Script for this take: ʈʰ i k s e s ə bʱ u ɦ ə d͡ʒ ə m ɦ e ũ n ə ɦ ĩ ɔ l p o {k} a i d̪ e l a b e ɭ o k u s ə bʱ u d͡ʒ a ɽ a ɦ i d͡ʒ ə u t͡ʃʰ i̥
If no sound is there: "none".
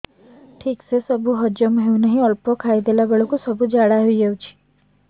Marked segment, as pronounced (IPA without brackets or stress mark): kʰ